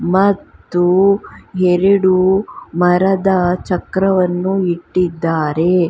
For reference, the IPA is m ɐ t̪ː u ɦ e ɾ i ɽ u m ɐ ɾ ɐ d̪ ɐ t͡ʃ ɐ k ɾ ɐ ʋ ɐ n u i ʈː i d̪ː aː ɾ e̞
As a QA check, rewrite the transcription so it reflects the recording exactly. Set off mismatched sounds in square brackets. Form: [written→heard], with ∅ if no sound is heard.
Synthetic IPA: m ɐ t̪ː u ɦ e ɾ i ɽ u m ɐ ɾ ɐ d̪ ɐ t͡ʃ ɐ k ɾ ɐ ʋ ɐ [n→nː] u i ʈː i d̪ː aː ɾ e̞